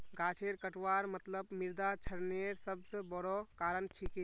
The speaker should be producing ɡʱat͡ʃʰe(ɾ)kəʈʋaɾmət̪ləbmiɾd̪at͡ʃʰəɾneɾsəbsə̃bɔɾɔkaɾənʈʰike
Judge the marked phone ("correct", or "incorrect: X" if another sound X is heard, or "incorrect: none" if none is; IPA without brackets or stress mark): correct